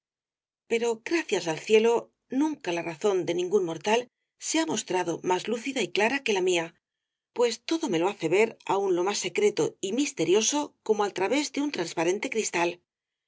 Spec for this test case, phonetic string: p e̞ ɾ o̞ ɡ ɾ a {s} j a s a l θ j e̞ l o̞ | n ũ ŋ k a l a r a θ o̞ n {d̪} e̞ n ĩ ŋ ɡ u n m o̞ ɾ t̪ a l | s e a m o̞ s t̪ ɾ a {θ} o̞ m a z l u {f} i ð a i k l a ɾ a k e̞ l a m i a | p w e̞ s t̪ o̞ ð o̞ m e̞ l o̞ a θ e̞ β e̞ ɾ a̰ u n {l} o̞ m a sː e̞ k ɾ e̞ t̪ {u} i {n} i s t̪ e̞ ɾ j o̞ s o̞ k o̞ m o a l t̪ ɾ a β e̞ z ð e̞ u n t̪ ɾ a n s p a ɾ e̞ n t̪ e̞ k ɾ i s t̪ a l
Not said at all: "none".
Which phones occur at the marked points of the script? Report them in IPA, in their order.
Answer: θ, d̪, ð, θ, l, o, m

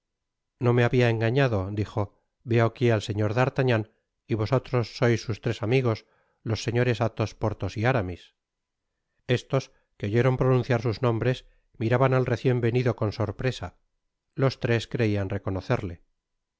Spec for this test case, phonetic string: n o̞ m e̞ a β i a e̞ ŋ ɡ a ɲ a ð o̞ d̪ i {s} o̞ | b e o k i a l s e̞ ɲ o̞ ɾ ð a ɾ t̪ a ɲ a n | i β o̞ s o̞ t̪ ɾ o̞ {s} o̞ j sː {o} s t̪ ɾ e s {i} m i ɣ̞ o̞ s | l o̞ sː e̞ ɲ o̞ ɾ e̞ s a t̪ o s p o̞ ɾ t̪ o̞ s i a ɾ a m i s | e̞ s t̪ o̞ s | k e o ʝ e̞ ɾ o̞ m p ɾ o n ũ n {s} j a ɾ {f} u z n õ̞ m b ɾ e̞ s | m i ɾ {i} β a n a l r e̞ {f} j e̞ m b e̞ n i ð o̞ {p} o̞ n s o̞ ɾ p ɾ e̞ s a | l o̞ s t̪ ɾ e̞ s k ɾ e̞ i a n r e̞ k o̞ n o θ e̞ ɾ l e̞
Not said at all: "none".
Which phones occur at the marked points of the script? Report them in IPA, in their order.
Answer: x, sː, u, a, θ, s, a, θ, k

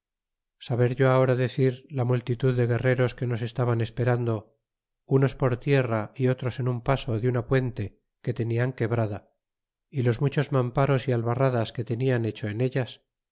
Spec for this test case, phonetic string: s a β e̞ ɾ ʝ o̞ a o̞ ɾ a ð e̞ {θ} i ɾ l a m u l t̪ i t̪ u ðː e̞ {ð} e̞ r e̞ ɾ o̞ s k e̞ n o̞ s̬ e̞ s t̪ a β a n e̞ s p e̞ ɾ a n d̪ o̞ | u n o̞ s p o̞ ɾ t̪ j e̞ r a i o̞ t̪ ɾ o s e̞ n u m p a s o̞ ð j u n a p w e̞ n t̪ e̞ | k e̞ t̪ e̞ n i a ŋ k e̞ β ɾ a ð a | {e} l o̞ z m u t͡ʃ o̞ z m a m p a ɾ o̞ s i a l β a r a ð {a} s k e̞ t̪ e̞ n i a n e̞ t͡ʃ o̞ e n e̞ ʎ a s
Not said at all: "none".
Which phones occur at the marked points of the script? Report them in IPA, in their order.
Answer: θ, ɣ, i, a

